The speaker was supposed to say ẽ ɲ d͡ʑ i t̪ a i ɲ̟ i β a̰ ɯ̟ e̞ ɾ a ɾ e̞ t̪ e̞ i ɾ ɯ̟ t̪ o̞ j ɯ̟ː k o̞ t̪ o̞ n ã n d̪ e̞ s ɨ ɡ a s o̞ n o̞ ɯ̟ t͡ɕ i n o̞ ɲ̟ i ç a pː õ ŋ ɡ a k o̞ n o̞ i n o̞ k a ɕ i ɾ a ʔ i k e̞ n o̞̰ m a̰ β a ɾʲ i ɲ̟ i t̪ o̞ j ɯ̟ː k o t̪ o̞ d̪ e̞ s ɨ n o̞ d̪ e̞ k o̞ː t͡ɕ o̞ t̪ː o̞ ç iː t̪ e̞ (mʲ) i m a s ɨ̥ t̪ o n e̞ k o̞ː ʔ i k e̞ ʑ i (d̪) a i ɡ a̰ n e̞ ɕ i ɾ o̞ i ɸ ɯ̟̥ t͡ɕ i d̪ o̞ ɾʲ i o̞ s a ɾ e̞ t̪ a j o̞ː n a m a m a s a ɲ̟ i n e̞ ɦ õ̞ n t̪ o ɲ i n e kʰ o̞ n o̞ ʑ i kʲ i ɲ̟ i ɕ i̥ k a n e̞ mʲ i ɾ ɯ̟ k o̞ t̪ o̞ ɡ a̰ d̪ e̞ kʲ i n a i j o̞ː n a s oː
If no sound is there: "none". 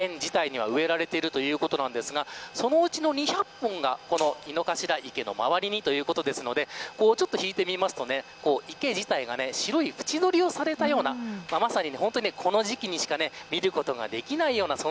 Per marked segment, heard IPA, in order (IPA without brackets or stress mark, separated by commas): mʲ, t̪